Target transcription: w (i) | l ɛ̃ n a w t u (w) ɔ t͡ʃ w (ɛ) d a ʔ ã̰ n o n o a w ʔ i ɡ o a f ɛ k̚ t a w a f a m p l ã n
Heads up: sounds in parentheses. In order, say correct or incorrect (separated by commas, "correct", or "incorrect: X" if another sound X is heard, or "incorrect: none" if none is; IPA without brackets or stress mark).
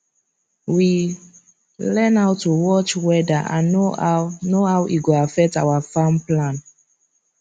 correct, correct, correct